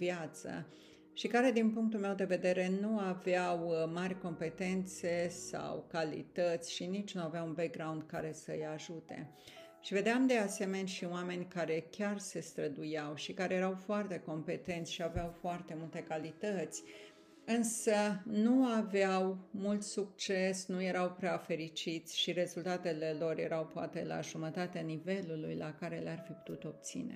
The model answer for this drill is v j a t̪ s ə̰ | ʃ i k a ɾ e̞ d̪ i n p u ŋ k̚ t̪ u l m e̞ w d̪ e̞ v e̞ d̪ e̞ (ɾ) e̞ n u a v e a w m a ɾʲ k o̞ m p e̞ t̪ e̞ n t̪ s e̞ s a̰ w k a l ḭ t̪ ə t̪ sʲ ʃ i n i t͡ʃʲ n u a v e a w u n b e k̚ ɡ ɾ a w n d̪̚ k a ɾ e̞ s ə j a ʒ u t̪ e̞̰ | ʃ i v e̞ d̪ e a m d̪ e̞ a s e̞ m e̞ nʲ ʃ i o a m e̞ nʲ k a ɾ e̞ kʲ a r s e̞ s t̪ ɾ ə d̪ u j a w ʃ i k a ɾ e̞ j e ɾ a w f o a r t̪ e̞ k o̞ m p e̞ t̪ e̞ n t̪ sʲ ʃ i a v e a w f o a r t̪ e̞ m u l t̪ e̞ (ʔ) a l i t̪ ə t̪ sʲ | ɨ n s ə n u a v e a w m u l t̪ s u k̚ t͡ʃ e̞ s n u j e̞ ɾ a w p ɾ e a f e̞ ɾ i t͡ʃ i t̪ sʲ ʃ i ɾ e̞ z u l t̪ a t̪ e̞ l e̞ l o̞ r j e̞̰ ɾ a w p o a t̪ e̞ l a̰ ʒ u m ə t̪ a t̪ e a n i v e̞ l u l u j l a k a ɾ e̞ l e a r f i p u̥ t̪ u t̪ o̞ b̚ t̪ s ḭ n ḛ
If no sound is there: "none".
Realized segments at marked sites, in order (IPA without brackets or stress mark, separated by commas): ɾ, k